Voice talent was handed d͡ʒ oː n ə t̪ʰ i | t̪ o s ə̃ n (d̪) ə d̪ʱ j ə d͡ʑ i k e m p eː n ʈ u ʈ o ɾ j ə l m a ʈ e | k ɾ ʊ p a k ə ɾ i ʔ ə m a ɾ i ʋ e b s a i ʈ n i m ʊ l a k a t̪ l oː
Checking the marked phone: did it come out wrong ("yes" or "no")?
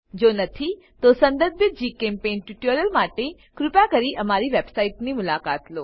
no